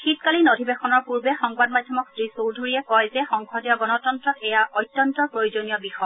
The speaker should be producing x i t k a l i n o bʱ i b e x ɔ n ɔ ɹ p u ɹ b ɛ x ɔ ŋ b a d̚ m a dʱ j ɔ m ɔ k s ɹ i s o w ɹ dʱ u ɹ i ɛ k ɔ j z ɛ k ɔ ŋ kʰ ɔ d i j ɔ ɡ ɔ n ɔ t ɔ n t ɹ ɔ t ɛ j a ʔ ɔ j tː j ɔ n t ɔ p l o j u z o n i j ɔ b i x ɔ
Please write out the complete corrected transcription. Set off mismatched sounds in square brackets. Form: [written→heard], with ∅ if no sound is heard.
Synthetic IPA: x i t k a l i n o [bʱ→dʱ] i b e x ɔ n ɔ ɹ p u ɹ b ɛ x ɔ ŋ b a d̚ m a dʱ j ɔ m ɔ k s ɹ i s o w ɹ dʱ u ɹ i ɛ k ɔ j z ɛ [k→x] ɔ ŋ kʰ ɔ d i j ɔ ɡ ɔ n ɔ t ɔ n t ɹ ɔ t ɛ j a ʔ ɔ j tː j ɔ n t ɔ p [l→ɹ] o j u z o n i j ɔ b i x ɔ